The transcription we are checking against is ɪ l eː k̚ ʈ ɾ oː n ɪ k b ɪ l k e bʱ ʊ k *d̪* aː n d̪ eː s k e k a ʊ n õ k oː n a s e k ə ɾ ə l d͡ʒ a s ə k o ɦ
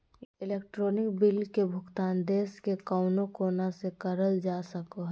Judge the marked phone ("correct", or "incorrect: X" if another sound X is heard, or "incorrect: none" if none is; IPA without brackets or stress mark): incorrect: t̪